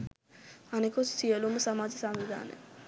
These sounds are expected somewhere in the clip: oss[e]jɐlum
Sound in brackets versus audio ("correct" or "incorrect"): incorrect